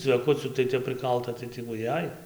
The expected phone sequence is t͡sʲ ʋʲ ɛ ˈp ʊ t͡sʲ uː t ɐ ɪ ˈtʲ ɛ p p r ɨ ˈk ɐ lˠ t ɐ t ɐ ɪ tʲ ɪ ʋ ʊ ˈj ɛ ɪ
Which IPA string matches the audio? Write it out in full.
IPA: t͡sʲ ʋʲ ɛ ˈk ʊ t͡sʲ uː t ɐ ɪ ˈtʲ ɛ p p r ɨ ˈk ɐ lˠ t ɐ t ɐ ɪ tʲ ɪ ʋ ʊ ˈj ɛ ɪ